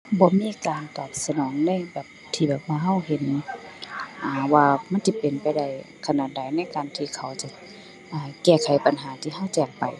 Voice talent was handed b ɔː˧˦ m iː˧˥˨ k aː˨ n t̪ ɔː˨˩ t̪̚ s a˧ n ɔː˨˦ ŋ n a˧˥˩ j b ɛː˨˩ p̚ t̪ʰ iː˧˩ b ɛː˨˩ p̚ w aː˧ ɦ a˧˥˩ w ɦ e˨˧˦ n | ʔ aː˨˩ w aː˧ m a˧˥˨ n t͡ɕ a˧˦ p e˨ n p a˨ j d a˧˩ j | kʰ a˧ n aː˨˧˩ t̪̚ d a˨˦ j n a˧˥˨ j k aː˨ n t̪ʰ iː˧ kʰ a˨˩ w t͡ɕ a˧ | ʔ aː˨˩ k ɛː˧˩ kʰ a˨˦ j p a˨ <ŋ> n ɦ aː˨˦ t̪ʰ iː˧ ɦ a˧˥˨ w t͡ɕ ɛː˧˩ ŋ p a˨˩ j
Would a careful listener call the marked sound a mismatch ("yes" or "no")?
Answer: yes